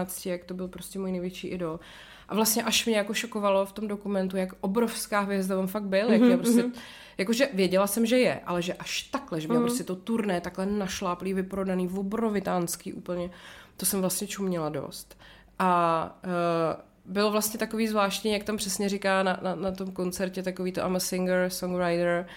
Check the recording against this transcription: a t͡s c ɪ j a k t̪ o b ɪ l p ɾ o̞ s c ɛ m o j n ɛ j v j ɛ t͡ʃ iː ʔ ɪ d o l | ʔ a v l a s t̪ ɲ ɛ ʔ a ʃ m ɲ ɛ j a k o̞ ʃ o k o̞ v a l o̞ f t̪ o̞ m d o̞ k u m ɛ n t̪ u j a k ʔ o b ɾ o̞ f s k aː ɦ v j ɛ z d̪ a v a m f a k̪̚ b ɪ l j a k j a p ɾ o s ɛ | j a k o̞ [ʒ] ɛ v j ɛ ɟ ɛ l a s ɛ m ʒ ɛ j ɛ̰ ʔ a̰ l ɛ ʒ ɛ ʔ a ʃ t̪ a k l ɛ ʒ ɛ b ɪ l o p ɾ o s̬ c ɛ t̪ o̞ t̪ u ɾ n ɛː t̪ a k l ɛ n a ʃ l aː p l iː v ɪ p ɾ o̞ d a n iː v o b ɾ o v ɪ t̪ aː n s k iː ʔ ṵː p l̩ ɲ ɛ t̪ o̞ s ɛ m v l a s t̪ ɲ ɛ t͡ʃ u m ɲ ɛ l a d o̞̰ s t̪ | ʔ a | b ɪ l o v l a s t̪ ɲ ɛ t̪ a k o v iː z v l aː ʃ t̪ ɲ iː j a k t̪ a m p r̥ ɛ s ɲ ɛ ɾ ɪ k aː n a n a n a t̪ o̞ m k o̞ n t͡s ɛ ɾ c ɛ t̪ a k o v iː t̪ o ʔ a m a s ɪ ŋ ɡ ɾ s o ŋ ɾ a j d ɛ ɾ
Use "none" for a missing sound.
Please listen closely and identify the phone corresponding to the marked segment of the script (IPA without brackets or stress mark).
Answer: ʒ